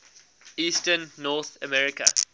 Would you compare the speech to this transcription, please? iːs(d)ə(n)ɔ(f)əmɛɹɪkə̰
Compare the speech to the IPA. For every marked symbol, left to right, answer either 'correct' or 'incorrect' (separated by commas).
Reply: incorrect, incorrect, incorrect